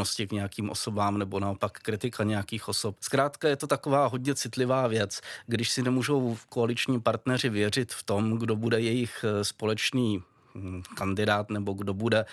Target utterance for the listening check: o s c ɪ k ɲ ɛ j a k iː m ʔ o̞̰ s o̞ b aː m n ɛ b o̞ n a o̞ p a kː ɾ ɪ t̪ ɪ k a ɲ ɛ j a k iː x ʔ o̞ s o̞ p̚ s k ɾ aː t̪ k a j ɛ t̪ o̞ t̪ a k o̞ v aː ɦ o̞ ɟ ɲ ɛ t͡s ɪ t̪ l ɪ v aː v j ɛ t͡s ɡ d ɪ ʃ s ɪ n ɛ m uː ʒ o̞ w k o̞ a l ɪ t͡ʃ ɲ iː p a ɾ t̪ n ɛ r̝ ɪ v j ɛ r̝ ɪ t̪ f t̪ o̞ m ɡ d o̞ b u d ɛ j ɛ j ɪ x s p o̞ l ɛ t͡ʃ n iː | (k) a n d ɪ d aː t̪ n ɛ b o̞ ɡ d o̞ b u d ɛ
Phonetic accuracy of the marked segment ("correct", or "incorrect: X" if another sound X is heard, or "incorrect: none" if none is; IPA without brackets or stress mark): correct